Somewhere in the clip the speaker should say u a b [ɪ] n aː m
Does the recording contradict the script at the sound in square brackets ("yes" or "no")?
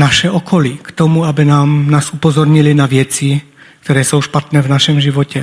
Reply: yes